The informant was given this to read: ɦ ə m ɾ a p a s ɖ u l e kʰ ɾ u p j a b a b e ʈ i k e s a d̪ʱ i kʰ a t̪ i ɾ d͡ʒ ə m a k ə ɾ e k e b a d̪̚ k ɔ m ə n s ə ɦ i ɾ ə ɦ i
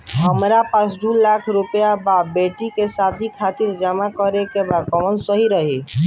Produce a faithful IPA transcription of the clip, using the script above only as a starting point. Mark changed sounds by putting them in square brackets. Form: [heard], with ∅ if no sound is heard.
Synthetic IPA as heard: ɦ ə m ɾ a p a s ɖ u l [a] kʰ ɾ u p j a b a b e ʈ i k e s a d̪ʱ i kʰ a t̪ i ɾ d͡ʒ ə m a k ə ɾ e k e b a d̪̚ k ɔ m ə n s ə ɦ i ɾ ə ɦ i